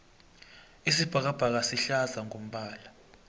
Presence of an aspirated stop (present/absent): absent